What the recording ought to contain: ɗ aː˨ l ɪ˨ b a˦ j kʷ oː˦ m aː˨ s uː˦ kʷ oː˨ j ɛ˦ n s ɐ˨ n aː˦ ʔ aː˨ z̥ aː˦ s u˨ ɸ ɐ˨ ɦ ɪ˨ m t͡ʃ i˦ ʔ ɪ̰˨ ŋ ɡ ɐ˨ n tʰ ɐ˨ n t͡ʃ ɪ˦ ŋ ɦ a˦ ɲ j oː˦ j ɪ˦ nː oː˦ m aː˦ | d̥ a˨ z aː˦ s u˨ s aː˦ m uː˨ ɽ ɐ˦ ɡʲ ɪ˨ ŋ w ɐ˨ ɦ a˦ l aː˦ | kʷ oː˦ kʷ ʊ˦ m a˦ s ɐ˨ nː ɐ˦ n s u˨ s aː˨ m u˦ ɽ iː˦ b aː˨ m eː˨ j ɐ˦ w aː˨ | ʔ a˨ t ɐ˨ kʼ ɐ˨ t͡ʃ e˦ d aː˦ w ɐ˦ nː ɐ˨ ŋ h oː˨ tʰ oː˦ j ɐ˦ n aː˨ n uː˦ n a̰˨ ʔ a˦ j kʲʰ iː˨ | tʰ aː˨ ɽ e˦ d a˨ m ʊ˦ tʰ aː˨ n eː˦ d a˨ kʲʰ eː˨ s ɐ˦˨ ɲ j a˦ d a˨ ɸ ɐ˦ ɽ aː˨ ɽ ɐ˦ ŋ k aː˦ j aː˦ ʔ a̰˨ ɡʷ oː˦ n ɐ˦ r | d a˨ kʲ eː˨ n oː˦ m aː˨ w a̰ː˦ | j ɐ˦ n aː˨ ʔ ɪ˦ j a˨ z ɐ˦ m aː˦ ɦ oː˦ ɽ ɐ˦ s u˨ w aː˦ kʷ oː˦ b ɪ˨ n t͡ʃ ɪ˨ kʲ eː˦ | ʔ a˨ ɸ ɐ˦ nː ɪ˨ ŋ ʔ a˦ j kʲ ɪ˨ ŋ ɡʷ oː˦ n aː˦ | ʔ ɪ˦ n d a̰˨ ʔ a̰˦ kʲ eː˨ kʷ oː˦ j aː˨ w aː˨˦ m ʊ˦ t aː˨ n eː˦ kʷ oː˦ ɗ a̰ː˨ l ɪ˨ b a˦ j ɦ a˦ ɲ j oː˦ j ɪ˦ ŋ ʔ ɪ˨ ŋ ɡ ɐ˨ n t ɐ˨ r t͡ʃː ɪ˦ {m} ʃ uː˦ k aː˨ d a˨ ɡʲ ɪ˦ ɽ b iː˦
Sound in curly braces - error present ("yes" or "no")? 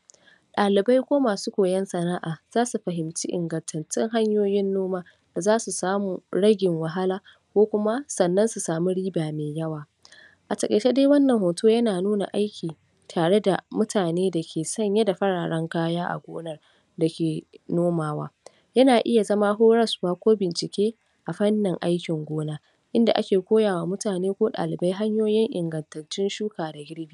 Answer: yes